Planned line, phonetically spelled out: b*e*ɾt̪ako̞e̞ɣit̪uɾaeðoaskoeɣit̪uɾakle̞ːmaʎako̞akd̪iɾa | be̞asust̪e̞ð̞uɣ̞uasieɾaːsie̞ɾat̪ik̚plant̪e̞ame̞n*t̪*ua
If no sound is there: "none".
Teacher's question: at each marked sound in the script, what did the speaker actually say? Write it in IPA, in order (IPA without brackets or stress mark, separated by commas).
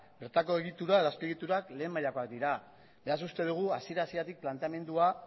e, d̪